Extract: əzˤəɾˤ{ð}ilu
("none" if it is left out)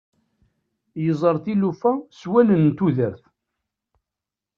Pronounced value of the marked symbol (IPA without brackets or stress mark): θ